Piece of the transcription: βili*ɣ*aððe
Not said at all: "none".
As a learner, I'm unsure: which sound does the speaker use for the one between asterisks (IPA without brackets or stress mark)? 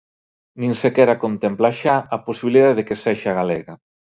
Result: ð